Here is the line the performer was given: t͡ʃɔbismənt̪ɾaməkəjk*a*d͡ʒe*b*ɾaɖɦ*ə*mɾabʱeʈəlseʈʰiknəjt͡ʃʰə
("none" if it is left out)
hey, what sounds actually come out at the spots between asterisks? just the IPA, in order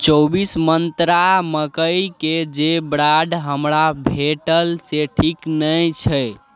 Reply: e, b, ə

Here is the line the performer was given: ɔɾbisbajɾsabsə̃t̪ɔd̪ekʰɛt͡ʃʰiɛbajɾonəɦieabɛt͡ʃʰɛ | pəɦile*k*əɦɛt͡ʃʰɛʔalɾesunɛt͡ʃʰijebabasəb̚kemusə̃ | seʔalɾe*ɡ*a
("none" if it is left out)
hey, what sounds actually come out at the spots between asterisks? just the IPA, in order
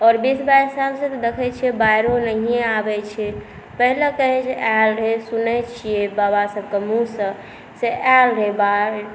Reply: k, b

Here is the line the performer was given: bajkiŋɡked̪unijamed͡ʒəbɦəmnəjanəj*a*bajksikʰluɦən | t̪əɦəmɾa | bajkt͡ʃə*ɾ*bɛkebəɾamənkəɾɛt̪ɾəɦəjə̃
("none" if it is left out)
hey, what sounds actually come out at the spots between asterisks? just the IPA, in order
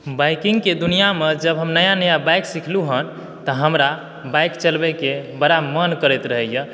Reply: a, l

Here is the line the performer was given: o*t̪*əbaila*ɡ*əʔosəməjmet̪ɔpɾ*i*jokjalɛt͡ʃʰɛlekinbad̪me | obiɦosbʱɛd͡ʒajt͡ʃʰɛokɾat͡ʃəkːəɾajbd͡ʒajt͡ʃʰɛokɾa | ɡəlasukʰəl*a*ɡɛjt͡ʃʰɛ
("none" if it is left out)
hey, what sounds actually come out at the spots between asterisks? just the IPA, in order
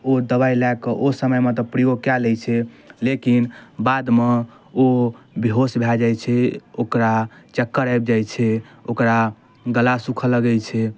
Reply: d̪, k, i, ə

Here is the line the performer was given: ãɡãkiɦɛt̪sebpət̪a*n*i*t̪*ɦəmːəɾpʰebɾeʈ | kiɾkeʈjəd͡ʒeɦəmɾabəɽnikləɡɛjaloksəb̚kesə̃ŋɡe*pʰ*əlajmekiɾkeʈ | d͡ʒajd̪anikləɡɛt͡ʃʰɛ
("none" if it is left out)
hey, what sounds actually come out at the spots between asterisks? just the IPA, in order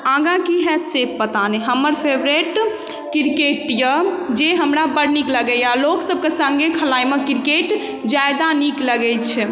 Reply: n, none, kʰ

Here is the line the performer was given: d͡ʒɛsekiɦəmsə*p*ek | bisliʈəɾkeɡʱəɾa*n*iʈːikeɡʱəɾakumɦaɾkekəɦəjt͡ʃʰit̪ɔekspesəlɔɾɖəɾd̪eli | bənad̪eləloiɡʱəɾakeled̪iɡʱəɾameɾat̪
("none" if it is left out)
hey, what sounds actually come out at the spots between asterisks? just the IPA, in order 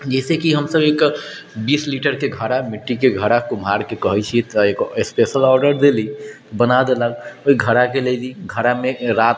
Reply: b, m

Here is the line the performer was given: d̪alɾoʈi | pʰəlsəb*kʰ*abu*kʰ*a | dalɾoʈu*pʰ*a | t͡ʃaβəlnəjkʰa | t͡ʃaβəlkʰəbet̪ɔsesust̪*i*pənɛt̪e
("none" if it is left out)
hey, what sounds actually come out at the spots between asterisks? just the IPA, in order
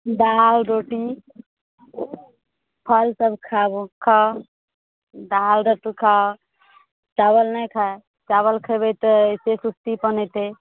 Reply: kʰ, kʰ, kʰ, i

